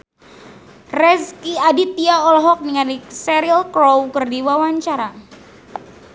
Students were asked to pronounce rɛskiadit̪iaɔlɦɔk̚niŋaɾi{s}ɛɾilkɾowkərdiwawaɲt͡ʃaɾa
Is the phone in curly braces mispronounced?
no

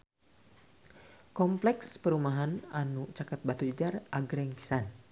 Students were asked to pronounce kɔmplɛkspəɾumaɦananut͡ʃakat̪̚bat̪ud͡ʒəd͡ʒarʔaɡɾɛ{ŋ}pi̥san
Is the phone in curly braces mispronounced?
no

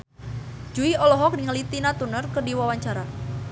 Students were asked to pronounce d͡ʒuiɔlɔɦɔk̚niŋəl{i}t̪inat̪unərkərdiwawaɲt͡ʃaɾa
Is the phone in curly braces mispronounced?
no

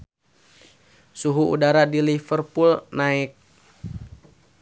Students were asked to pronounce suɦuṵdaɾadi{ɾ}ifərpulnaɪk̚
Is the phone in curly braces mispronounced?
yes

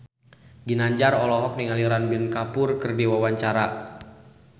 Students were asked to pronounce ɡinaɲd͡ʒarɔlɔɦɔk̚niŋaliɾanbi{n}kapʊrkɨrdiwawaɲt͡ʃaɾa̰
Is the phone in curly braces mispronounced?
no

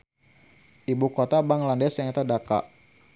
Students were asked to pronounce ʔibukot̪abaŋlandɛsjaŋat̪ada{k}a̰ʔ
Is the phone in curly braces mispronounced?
no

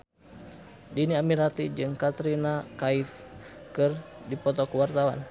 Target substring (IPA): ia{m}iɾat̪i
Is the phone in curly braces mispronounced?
no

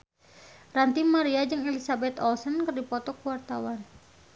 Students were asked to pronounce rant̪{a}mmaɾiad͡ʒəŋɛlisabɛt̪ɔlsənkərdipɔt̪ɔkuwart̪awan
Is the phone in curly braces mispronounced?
yes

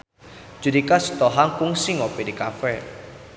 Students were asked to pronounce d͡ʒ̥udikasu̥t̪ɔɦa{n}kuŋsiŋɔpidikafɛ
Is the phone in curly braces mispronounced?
yes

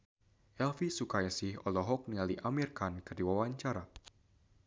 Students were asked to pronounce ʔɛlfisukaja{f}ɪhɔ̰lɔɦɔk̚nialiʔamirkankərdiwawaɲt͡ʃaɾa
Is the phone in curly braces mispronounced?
yes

